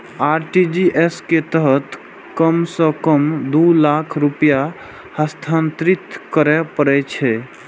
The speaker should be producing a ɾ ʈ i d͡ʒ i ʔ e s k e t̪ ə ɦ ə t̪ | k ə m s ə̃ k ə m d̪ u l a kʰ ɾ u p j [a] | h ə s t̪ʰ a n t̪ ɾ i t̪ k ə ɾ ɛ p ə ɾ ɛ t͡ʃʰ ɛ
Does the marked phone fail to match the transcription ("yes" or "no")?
no